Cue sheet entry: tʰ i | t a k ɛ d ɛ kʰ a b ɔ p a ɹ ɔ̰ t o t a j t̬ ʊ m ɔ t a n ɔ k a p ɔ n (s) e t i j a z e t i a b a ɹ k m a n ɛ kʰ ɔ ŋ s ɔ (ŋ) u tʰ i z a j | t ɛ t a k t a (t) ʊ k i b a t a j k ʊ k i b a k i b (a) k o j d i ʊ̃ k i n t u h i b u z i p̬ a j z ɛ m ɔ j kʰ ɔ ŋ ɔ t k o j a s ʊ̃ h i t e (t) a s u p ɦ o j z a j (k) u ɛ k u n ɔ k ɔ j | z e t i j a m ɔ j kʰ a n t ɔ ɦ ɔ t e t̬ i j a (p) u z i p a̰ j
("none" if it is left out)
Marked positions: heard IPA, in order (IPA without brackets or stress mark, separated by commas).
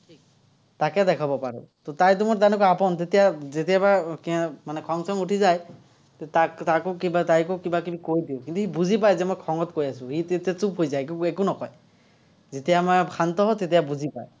t, ŋ, k, i, t, k, b